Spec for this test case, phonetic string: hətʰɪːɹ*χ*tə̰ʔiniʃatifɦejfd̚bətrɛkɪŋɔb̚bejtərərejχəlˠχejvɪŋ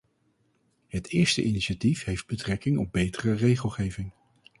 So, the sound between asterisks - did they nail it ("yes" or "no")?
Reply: no